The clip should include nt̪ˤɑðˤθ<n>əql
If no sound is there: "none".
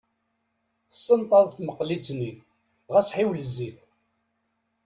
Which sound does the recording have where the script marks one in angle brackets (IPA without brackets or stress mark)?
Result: m